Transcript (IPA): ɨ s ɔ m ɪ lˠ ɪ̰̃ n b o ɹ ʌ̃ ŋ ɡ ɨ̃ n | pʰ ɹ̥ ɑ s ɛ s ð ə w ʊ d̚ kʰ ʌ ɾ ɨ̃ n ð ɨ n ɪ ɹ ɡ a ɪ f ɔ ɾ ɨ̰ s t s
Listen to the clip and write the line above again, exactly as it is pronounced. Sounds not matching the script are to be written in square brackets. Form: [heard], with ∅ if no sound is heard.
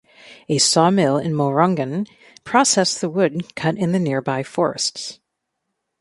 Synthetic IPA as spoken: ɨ s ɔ m ɪ lˠ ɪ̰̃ n [m] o ɹ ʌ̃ ŋ ɡ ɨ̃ n | pʰ ɹ̥ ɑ s ɛ s ð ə w ʊ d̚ kʰ ʌ ɾ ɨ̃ n ð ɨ n ɪ ɹ [b] a ɪ f ɔ [ɹ] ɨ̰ s t s